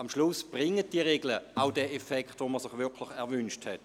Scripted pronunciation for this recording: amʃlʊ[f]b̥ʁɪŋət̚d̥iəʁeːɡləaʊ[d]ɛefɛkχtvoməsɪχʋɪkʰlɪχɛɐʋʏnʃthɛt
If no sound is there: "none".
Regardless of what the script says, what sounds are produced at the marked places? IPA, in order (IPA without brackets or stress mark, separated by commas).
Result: s, d